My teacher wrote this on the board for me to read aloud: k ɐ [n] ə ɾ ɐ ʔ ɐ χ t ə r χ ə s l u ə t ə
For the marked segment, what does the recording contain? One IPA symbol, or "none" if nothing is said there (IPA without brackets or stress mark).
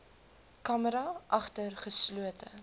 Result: m